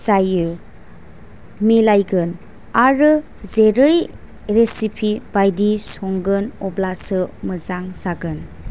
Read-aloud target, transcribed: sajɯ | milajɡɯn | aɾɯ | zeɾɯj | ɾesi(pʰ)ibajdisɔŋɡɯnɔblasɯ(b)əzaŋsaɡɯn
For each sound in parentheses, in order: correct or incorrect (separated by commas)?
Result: correct, incorrect